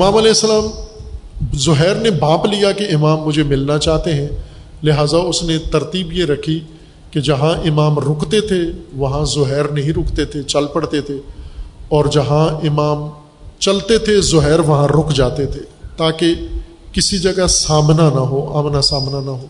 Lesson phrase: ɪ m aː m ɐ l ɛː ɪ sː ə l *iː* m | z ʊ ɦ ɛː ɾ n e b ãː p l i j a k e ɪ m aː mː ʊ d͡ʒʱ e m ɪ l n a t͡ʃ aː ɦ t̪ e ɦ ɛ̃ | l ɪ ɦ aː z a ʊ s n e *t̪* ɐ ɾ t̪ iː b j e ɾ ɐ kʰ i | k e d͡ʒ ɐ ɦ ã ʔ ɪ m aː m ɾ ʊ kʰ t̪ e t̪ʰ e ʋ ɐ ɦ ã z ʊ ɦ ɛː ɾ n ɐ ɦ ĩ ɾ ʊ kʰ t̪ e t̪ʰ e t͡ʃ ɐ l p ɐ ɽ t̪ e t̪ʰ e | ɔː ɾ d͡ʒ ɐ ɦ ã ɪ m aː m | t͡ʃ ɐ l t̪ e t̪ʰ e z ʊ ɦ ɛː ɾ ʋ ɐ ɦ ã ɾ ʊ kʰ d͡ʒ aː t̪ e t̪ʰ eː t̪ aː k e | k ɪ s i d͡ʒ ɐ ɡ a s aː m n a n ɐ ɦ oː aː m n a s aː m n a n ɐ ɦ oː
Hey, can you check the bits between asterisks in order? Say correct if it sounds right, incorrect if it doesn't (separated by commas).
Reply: incorrect, correct